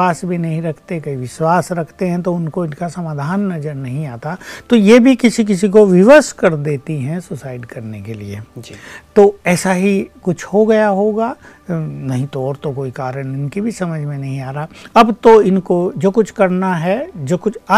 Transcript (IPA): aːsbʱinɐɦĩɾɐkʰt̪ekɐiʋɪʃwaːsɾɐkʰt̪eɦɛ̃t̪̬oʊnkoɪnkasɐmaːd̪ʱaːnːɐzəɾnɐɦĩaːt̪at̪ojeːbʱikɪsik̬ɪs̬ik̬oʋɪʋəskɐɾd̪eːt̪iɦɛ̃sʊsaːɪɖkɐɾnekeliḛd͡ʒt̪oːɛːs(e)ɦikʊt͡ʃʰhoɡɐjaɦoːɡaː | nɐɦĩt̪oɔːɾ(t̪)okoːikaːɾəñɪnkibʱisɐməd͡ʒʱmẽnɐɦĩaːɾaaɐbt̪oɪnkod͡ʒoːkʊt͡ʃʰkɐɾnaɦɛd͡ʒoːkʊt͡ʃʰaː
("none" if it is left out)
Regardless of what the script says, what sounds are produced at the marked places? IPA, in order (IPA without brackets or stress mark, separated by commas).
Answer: a, t̪